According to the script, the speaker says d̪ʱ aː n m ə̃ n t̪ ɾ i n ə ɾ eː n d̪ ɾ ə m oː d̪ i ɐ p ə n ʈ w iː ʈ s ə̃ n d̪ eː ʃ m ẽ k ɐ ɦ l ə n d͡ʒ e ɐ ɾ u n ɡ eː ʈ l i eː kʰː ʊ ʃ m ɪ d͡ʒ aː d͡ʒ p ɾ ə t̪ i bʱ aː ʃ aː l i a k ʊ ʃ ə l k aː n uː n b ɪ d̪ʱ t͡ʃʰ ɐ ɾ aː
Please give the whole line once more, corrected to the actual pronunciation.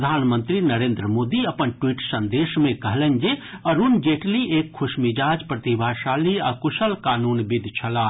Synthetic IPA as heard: d̪ʱ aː n m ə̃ n t̪ ɾ i n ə ɾ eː n d̪ ɾ ə m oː d̪ i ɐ p ə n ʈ w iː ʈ s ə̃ n d̪ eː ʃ m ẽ k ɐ ɦ l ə n d͡ʒ e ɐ ɾ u n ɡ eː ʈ l i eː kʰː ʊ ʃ m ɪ d͡ʒ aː d͡ʒ p ɾ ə t̪ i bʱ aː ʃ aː l i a k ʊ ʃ ə l k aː n uː n b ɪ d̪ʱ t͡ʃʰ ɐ l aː